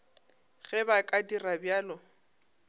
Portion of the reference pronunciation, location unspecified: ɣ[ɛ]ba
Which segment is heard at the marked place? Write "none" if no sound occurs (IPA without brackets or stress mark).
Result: ɛ